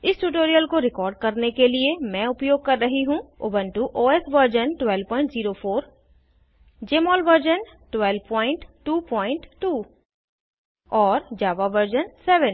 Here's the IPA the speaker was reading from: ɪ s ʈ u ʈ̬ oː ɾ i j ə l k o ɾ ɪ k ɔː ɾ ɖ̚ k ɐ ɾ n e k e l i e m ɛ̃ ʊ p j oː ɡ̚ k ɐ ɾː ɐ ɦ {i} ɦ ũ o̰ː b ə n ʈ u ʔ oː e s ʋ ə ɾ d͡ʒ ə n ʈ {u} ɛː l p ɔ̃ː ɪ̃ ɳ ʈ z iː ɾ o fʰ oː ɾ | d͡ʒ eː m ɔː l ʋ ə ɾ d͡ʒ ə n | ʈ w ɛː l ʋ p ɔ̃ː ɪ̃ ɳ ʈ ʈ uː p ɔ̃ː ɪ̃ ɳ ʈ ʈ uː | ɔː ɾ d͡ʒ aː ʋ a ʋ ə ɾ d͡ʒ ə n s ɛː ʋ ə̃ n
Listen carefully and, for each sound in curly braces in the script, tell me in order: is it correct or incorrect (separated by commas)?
correct, incorrect